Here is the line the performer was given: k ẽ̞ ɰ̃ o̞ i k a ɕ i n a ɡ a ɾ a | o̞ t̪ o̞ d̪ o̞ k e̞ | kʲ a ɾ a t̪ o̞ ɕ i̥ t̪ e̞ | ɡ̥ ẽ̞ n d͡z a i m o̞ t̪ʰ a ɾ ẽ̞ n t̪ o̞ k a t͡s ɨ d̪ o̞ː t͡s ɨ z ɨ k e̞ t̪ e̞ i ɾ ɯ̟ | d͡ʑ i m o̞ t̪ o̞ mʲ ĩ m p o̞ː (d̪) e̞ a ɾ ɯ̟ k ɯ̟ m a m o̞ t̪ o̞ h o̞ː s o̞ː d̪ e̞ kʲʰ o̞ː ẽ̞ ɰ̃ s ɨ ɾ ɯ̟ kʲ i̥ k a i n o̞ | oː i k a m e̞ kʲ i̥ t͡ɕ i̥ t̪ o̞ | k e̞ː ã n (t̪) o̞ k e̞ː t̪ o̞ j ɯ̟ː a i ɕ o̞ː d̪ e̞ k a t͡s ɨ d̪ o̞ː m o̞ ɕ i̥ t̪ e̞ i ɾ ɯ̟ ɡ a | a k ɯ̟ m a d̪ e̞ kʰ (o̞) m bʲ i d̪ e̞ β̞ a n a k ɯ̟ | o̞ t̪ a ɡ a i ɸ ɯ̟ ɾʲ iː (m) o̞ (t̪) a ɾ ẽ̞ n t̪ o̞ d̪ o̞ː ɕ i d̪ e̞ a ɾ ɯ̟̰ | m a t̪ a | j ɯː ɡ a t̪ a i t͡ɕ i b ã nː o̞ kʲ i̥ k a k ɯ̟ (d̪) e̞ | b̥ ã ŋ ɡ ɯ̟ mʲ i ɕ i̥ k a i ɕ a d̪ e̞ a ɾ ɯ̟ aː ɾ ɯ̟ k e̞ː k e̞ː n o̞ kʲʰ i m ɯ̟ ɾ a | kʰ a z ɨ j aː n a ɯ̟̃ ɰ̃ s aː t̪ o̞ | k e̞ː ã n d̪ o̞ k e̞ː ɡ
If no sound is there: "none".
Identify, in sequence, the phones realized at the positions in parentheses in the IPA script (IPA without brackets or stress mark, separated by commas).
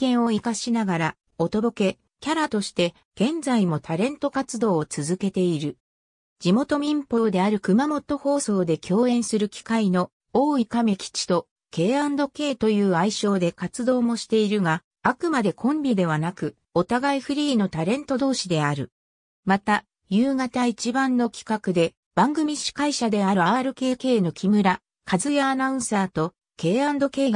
d̪, d̪, õ̞, n, t̪, d̪